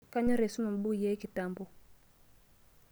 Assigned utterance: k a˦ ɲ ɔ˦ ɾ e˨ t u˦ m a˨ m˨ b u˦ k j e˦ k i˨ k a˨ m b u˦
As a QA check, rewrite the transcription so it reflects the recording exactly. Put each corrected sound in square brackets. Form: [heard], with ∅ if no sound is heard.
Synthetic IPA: k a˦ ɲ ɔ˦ ɾ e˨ [s] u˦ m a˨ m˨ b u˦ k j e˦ k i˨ [t] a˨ m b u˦